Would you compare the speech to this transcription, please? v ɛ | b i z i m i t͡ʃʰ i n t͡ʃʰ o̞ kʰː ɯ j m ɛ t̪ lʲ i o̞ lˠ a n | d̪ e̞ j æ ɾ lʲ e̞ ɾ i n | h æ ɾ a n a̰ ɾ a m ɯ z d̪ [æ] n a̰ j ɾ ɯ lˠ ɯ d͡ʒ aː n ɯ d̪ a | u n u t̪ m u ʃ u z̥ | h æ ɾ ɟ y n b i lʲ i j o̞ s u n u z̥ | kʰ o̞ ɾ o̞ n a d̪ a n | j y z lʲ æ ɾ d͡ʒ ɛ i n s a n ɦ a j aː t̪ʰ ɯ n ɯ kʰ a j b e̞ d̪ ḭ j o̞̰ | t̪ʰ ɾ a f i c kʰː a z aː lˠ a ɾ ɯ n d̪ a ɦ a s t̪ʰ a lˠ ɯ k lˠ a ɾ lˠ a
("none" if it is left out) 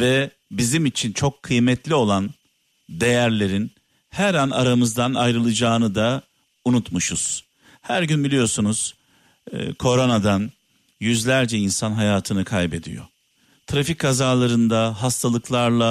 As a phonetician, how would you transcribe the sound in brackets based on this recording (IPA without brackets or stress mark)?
a